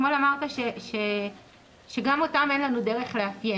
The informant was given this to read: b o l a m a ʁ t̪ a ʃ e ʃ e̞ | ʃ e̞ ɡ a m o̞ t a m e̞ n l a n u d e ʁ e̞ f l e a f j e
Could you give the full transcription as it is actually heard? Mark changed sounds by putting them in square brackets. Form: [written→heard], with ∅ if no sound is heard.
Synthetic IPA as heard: [b→m] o l a m a ʁ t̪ a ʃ e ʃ e̞ | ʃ e̞ ɡ a m o̞ t a m e̞ n l a n u d e ʁ e̞ [f→χ] l e a f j e